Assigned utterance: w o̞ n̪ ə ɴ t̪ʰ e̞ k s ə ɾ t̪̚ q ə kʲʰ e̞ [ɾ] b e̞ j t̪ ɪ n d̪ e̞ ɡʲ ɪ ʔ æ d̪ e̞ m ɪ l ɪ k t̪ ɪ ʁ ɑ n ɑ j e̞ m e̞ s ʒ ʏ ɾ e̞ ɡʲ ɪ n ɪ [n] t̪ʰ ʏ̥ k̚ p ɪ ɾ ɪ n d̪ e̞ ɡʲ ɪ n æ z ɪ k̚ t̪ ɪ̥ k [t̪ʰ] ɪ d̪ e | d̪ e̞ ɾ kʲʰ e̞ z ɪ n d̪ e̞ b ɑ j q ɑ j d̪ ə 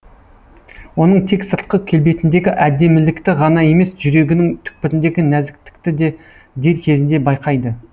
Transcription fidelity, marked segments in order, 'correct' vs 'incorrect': incorrect, incorrect, incorrect

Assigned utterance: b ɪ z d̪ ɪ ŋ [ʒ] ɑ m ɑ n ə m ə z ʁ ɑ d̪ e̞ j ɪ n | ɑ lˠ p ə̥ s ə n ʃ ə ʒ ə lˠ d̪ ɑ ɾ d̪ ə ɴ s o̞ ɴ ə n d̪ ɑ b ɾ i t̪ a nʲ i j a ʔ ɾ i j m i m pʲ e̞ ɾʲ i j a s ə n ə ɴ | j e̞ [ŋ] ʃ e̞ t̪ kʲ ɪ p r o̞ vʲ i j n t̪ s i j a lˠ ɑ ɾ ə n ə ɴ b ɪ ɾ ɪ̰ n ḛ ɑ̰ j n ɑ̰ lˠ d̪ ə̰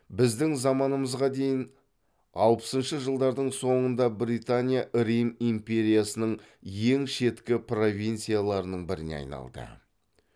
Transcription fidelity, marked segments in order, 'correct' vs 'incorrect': incorrect, correct

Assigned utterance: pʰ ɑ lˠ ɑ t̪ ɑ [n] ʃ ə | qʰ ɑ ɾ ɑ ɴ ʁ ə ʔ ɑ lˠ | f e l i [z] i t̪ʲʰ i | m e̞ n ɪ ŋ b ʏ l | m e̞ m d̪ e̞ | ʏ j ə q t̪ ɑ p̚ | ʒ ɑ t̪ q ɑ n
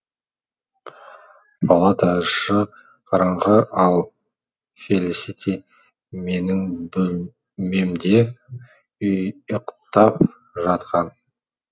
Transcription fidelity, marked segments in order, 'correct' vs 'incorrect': incorrect, incorrect

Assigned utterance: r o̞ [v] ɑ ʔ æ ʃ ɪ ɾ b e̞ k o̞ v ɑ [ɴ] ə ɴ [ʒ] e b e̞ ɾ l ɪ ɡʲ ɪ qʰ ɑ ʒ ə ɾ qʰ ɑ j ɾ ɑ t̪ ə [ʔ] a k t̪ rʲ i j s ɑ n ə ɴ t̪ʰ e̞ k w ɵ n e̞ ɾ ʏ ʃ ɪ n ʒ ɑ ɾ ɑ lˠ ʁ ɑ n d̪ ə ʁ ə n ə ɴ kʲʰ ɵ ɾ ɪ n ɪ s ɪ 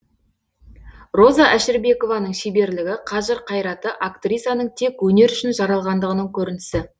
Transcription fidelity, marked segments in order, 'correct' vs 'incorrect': incorrect, incorrect, incorrect, correct

